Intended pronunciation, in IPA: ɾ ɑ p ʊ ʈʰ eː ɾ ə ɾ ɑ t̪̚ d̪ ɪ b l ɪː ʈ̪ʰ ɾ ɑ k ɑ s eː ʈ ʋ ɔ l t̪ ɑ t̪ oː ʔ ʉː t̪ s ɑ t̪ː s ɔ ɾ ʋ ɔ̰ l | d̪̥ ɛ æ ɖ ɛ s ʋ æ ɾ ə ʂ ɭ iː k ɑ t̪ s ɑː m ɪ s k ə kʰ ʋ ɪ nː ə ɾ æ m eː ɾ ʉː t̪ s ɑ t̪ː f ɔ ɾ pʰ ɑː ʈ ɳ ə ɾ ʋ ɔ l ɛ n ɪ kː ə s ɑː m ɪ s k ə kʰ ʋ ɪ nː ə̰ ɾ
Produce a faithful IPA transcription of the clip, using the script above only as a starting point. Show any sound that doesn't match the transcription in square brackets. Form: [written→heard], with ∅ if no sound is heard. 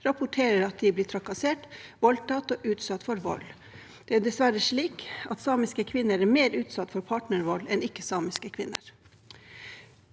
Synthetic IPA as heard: ɾ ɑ p ʊ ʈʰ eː ɾ ə ɾ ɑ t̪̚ d̪ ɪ b l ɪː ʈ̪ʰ ɾ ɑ k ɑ s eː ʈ ʋ ɔ l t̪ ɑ t̪ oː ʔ ʉː t̪ s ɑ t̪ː [s→f] ɔ ɾ ʋ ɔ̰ l | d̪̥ ɛ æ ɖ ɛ s ʋ æ ɾ ə ʂ ɭ iː k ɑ t̪ s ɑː m ɪ s k ə kʰ ʋ ɪ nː ə ɾ æ m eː ɾ ʉː t̪ s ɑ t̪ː f ɔ ɾ pʰ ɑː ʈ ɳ ə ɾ ʋ ɔ l ɛ n ɪ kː ə s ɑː m ɪ s k ə kʰ ʋ ɪ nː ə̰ ɾ